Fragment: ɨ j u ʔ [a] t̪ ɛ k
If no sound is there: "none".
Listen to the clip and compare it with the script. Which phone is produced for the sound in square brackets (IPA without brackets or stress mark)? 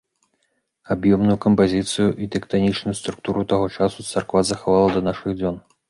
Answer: i